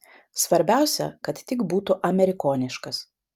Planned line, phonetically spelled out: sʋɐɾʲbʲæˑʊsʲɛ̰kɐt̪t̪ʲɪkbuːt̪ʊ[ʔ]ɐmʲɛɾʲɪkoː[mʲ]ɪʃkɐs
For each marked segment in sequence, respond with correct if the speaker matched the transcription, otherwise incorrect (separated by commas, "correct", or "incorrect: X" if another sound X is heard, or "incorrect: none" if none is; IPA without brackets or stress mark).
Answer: correct, incorrect: nʲ